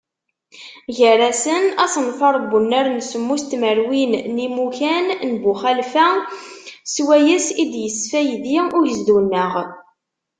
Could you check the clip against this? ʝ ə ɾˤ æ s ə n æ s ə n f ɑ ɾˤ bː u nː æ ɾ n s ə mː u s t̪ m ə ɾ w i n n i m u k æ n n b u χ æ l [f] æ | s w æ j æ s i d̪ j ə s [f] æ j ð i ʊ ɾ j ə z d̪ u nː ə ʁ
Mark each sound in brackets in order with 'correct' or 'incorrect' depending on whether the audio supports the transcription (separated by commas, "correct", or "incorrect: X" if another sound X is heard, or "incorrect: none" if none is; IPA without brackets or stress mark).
correct, correct